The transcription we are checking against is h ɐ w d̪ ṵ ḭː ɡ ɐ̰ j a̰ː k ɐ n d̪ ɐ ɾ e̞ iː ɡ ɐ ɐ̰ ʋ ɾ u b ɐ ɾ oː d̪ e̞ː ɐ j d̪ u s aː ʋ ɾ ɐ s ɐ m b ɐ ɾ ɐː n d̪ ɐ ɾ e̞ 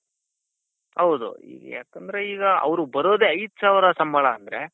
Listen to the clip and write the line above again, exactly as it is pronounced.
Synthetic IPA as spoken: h ɐ w d̪ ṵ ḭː ɡ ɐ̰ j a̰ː k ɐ n d̪ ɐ ɾ e̞ iː ɡ ɐ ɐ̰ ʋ ɾ u b ɐ ɾ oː d̪ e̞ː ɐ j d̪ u s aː ʋ ɾ ɐ s ɐ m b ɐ ɭ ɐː n d̪ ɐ ɾ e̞

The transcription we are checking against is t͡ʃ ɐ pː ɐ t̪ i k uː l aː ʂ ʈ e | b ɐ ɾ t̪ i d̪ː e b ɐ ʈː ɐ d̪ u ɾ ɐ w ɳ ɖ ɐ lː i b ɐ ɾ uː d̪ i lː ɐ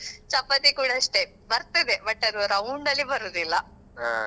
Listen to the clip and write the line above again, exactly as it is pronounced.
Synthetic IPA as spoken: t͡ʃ ɐ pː ɐ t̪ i k uː ɽ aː ʂ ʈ e | b ɐ ɾ t̪ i d̪ e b ɐ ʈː ɐ d̪ u ɾ ɐ w ɳ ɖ ɐ lː i b ɐ ɾ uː d̪ i lː ɐ

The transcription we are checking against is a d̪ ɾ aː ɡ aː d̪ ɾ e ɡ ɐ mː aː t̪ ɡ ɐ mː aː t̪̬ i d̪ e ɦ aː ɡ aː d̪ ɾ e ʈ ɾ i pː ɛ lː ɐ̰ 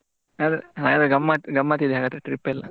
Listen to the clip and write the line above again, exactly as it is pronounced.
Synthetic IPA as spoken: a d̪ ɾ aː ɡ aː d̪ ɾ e ɡ ɐ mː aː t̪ ɡ ɐ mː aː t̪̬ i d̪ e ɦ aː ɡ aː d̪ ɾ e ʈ ɾ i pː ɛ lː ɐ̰

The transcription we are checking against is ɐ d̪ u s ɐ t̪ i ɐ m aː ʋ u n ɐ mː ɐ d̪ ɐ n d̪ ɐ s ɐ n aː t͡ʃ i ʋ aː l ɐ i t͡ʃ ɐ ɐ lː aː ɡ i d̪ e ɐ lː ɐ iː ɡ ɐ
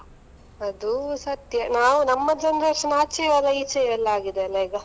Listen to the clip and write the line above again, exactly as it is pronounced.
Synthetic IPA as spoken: ɐ d̪ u s ɐ t̪ j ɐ n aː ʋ u n ɐ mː ɐ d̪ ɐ n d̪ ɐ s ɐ n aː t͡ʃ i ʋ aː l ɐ i t͡ʃ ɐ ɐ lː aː ɡ i d̪ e ɐ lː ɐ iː ɡ ɐ

